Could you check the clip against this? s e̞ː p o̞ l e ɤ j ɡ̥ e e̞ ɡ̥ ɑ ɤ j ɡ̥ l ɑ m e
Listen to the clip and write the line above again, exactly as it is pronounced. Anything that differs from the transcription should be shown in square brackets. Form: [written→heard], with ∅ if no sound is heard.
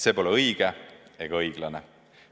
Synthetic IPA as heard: s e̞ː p o̞ l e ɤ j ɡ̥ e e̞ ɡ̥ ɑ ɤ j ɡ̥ l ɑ [m→n] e

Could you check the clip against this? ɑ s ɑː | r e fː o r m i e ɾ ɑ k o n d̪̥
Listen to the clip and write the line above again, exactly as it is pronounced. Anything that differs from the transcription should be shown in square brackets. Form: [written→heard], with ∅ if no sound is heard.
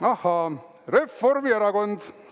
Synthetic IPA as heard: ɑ [s→h] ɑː | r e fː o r m i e ɾ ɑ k o n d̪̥

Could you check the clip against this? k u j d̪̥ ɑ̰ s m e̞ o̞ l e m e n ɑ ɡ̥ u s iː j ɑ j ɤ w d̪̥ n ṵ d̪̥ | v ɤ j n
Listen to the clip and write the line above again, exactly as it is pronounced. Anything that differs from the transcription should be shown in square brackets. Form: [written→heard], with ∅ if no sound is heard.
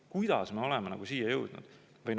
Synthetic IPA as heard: k u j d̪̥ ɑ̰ s m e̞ o̞ l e m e n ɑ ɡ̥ u s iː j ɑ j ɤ w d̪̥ n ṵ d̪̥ | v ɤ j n

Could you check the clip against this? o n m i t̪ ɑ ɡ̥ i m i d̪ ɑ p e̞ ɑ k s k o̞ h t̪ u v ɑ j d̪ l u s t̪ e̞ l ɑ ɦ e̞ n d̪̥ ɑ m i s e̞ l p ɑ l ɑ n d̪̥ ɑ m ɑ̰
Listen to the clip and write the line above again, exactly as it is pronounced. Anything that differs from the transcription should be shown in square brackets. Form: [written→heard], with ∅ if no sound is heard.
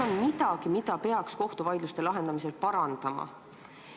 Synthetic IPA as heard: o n m i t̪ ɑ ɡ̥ i m i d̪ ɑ p e̞ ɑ k s k o̞ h t̪ u v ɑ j d̪ l u s t̪ e̞ l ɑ ɦ e̞ n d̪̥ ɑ m i s e̞ l p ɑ [l→ɾ] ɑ n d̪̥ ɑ m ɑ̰

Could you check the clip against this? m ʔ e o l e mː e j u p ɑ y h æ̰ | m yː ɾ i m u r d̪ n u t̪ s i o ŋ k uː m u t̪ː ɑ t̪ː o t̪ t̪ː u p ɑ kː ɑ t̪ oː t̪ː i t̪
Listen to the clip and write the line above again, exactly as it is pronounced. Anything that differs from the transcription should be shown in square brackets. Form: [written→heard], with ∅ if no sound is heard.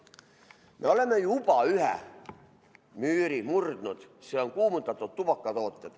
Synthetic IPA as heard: m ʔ e o l e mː e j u p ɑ y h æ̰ | m yː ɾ i m u r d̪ n u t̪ s [i→e] o ŋ k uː m u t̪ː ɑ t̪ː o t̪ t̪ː u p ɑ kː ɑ t̪ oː t̪ː [i→e] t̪

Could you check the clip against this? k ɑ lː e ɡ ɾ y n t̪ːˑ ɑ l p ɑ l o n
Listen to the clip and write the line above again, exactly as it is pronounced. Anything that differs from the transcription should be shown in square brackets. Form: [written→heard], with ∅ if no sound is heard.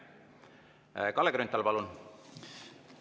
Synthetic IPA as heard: k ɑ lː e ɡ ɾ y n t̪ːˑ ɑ l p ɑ l [o→u] n

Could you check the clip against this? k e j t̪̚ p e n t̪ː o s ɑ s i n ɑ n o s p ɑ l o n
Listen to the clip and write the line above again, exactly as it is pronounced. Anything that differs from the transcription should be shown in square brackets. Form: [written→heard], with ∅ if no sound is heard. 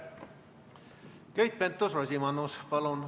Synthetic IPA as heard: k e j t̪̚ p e n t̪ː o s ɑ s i [n→m] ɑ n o s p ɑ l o n

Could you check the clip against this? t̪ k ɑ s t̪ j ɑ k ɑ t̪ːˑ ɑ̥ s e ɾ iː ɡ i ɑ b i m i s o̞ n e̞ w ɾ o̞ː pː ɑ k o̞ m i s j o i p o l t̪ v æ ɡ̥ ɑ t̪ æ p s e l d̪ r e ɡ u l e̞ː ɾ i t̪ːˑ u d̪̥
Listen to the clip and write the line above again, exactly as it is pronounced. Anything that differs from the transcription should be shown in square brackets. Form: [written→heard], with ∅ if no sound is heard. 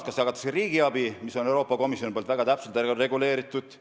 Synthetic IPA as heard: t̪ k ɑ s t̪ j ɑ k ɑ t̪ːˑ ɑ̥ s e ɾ iː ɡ i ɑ b i m i s o̞ n e̞ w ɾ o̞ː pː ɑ k o̞ m i s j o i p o l t̪ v æ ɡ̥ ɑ t̪ æ p s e l [d̪→t̪] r e ɡ u l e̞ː ɾ i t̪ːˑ u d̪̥

